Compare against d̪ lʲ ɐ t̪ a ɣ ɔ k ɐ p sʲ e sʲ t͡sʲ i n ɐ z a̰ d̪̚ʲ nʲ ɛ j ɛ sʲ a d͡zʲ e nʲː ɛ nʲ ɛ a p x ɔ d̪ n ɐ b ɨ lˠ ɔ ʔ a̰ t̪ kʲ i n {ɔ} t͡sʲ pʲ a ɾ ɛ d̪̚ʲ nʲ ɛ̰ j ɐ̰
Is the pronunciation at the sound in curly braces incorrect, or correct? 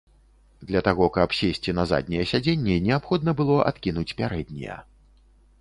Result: incorrect